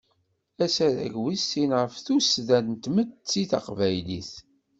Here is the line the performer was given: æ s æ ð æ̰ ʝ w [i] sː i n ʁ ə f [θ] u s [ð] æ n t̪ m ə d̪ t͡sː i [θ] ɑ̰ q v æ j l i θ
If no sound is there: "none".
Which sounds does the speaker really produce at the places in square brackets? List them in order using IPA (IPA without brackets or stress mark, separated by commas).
i, θ, ð, θ